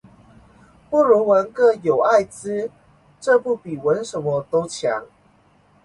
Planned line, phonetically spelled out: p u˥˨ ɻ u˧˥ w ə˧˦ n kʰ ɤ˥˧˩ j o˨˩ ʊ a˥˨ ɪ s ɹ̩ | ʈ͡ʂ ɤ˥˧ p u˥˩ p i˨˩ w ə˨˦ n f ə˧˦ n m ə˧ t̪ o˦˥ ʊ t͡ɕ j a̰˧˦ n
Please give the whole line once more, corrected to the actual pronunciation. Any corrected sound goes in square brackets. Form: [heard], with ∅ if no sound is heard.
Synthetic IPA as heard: p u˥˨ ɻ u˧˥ w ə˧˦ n [k] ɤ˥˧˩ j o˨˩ ʊ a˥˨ ɪ [t͡s] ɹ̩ | ʈ͡ʂ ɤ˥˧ p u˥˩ p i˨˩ w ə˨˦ n [ʂ] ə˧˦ n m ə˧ t̪ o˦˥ ʊ [t͡ɕʰ] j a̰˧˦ [ŋ]